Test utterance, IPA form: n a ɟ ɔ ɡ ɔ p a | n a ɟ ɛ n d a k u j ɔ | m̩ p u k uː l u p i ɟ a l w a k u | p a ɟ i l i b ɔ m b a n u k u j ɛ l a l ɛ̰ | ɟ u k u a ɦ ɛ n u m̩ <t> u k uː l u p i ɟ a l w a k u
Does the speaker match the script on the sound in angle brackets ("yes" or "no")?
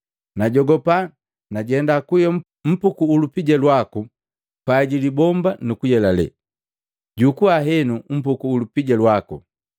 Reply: no